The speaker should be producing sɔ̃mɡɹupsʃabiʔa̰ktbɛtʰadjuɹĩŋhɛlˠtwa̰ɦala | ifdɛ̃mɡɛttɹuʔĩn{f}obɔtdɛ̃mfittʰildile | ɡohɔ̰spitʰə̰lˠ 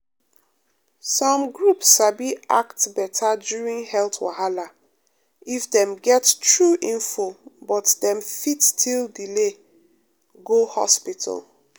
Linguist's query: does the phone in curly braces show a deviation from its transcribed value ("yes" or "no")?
no